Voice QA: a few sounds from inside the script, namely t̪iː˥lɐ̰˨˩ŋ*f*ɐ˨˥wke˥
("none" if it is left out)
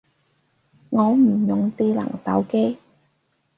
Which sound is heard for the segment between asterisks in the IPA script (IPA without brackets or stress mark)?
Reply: s